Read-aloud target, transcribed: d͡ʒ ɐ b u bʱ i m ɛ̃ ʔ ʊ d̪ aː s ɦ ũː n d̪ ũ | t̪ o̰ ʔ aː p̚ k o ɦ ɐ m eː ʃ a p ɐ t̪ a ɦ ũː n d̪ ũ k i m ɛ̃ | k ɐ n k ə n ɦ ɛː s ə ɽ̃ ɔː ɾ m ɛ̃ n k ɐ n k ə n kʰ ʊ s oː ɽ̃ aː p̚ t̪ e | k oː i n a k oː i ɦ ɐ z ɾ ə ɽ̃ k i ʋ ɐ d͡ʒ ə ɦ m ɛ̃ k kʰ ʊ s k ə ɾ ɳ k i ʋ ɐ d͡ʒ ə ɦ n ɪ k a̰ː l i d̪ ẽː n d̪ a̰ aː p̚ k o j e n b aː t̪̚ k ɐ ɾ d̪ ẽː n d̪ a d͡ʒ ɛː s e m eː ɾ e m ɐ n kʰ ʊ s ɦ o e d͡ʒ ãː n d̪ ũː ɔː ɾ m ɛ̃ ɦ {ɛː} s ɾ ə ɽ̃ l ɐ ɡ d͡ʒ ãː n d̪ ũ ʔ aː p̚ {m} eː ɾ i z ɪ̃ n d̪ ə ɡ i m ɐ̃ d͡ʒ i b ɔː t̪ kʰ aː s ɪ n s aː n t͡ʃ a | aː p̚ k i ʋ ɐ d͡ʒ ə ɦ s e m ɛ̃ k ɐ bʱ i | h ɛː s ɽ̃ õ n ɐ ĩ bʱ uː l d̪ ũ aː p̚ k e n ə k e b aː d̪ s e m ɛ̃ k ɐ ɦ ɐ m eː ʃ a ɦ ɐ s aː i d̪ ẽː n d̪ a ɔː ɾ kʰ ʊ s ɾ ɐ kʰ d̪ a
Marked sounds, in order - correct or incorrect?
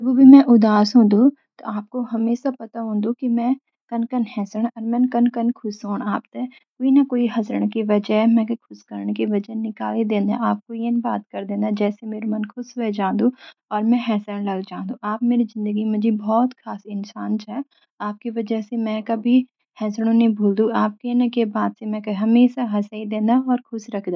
correct, correct

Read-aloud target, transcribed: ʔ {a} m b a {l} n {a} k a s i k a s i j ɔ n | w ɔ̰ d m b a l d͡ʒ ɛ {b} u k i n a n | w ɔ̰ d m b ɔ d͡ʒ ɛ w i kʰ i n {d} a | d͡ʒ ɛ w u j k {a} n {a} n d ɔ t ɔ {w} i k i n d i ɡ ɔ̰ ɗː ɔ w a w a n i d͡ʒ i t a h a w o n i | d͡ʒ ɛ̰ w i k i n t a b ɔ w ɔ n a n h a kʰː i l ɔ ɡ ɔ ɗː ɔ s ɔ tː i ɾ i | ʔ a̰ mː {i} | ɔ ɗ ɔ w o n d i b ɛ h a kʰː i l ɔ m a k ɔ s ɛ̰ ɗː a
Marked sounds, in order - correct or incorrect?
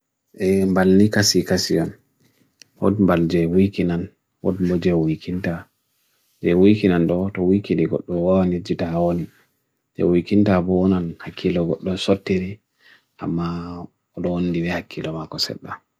incorrect, correct, incorrect, incorrect, incorrect, incorrect, correct, correct, incorrect

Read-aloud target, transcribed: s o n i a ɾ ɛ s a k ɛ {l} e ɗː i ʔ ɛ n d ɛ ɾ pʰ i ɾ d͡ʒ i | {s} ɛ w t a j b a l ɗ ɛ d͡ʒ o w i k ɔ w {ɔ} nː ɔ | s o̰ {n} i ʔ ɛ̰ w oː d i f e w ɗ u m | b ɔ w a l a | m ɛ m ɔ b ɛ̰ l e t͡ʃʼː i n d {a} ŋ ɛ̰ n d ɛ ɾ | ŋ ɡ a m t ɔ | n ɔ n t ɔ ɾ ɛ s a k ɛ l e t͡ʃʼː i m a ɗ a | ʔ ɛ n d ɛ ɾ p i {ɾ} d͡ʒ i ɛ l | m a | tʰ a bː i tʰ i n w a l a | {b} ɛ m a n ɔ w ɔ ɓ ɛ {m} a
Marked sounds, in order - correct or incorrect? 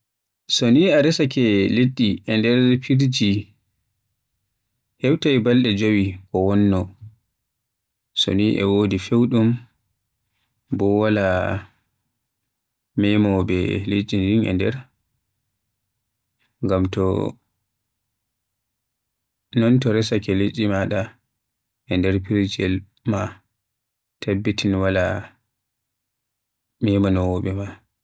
correct, incorrect, correct, correct, incorrect, correct, incorrect, correct

